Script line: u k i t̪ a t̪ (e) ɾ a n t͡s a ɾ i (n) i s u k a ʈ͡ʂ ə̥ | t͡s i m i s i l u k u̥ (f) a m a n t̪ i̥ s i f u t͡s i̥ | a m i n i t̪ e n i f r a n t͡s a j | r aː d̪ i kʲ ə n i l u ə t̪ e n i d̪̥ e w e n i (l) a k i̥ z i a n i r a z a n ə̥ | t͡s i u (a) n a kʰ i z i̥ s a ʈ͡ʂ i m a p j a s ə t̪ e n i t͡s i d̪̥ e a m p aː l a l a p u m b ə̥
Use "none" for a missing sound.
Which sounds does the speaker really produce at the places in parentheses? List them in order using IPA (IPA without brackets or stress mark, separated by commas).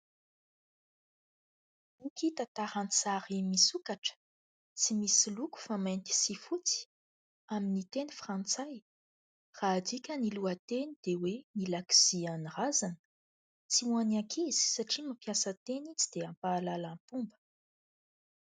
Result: a, m, f, l, a